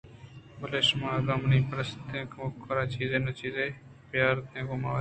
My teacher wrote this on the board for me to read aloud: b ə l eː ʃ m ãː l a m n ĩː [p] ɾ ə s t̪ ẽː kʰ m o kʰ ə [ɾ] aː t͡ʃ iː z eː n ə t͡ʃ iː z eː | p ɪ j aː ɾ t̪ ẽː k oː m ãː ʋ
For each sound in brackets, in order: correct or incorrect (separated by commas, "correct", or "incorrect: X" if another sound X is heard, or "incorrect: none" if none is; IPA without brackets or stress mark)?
correct, correct